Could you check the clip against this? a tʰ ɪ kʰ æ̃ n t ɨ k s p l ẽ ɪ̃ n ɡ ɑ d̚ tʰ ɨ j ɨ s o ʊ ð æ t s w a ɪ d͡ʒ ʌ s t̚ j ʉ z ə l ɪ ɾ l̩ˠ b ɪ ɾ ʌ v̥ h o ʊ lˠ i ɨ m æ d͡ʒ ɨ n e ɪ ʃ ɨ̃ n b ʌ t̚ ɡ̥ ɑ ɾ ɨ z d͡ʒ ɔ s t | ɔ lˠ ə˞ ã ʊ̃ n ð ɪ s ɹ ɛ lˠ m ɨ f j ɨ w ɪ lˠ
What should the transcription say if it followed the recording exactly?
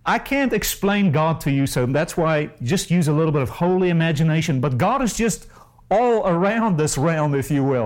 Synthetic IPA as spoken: a ɪ kʰ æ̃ n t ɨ k s p l ẽ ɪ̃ n ɡ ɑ d̚ tʰ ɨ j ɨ s o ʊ ð æ t s w a ɪ d͡ʒ ʌ s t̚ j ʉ z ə l ɪ ɾ l̩ˠ b ɪ ɾ ʌ v̥ h o ʊ lˠ i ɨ m æ d͡ʒ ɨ n e ɪ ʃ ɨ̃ n b ʌ t̚ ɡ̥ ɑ ɾ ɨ z d͡ʒ ʌ s t | ɔ lˠ ə˞ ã ʊ̃ n ð ɪ s ɹ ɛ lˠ m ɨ f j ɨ w ɪ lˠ